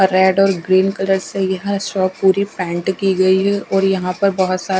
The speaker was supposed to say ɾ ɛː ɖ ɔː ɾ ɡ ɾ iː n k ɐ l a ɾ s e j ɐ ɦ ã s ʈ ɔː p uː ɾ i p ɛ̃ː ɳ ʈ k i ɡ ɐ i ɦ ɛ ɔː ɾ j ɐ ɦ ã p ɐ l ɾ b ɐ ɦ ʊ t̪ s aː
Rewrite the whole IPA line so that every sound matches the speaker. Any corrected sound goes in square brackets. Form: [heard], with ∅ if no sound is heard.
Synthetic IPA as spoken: ɾ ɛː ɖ ɔː ɾ ɡ ɾ iː n k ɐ l [ə] ɾ s e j ɐ ɦ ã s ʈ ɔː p uː ɾ i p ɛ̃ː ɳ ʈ k i ɡ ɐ i ɦ ɛ ɔː ɾ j ɐ ɦ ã p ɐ [∅] ɾ b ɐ ɦ ʊ t̪ s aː